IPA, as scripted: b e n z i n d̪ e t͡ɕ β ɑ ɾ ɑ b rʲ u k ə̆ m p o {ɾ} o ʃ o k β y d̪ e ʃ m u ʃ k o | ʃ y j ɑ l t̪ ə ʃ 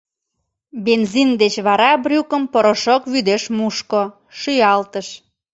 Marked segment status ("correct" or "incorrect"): correct